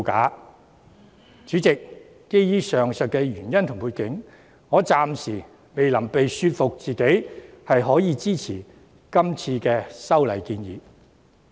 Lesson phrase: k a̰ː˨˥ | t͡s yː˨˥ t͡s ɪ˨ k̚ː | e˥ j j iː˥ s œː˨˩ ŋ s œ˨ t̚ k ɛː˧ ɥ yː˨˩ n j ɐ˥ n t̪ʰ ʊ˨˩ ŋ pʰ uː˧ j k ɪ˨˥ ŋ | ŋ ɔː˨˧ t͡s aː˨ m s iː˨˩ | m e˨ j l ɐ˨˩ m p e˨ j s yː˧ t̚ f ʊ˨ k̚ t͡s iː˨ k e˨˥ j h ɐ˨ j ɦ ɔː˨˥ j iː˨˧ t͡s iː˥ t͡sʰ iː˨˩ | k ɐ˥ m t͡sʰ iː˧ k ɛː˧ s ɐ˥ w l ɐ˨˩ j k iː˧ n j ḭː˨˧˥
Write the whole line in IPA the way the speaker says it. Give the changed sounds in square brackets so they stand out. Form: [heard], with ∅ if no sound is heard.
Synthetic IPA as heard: k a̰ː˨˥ | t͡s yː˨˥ t͡s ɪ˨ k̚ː | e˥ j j iː˥ s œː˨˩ ŋ s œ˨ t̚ k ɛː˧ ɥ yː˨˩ n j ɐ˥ n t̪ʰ ʊ˨˩ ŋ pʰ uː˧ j k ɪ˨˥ ŋ | ŋ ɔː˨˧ t͡s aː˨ m s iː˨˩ | m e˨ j l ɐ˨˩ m p e˨ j s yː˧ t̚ f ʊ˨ k̚ t͡s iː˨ k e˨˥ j h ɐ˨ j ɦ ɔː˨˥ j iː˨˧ t͡s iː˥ t͡sʰ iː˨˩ | k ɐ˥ m t͡sʰ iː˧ k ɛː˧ s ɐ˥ w l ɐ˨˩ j k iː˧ n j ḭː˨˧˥